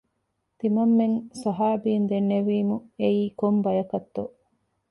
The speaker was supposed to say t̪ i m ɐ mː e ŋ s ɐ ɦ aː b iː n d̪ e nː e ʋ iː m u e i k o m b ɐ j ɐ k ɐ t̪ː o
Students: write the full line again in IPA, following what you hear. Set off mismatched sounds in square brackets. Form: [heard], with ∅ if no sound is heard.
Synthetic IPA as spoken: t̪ i m ɐ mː e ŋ s ɐ ɦ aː b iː n d̪ e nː e ʋ iː m u e [iː] k o m b ɐ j ɐ k ɐ t̪ː o